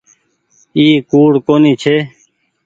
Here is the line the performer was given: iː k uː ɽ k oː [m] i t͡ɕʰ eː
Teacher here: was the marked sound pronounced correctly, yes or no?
no